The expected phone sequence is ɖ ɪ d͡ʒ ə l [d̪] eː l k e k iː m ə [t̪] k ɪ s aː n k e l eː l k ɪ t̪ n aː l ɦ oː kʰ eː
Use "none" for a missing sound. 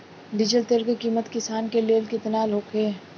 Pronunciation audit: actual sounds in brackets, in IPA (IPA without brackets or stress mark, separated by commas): t̪, t̪